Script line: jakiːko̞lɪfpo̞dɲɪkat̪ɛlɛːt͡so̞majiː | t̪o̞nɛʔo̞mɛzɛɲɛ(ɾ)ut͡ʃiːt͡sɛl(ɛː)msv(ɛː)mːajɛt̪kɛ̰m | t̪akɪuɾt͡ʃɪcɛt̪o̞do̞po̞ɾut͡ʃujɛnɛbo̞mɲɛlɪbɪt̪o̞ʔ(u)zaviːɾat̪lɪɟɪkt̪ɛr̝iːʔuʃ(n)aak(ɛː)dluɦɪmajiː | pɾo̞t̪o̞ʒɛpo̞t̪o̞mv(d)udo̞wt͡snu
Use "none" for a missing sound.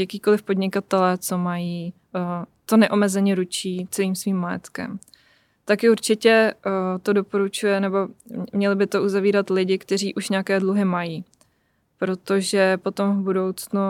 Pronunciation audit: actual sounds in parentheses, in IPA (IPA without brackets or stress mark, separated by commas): ɾ, iː, iː, u, ɲ, ɛː, b